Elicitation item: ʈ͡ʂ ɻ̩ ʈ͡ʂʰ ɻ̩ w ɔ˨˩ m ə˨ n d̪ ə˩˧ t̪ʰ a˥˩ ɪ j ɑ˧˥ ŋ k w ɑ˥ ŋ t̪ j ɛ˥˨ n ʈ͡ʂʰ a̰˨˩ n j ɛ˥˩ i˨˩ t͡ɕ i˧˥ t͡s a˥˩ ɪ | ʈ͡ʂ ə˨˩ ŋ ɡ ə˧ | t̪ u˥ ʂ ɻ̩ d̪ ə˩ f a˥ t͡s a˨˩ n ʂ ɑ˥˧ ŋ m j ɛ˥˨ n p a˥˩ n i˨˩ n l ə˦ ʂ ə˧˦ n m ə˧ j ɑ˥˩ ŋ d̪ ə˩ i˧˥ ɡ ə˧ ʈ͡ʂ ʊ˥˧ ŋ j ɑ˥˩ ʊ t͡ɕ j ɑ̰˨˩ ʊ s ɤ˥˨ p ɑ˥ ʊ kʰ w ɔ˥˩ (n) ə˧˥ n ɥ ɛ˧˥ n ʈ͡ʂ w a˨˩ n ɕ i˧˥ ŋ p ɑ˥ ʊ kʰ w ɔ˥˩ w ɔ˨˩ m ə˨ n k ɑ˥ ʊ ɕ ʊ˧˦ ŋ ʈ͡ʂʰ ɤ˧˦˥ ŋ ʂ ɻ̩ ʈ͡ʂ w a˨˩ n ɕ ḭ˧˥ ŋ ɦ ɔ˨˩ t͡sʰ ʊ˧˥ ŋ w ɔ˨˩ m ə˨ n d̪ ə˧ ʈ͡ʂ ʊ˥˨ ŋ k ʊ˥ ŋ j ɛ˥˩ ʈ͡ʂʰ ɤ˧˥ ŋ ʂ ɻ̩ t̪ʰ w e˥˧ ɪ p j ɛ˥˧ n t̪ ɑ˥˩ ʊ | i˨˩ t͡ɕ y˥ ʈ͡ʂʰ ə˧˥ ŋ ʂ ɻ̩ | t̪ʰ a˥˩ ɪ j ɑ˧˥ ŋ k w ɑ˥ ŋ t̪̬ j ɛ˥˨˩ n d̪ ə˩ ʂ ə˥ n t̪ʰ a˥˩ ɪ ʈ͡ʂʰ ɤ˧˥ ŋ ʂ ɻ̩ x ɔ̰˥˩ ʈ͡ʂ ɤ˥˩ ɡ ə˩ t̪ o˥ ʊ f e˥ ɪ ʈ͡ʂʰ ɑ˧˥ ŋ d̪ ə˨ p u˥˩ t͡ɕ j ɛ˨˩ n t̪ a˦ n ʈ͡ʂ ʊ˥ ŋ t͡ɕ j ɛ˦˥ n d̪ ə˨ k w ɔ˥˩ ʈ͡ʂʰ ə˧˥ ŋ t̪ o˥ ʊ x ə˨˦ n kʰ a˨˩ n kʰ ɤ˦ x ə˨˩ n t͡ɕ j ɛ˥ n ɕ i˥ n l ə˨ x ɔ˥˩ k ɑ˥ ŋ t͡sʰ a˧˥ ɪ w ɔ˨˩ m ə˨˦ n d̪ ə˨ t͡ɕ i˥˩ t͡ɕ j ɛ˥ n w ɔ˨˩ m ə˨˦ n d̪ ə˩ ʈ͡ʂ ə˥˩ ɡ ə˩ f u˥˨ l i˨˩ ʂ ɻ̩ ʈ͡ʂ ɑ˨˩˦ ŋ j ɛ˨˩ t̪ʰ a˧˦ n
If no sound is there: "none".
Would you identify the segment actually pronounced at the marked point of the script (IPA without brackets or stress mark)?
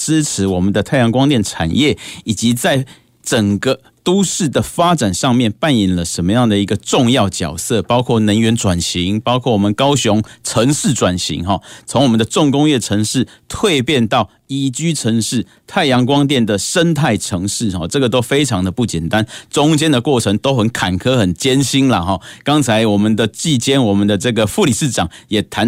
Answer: n